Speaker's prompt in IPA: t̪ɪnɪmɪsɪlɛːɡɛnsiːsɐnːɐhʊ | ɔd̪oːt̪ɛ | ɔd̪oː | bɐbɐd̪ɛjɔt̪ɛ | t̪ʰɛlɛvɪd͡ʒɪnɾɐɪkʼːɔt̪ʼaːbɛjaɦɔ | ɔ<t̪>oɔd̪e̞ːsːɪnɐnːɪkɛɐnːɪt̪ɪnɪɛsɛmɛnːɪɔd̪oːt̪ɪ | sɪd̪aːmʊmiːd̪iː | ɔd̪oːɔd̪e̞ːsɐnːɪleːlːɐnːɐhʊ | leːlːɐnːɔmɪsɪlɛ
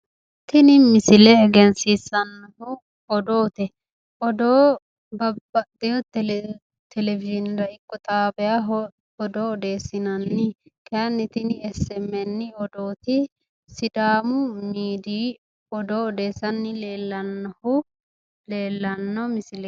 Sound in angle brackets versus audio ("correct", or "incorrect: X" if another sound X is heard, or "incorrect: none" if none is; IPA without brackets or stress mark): incorrect: d̪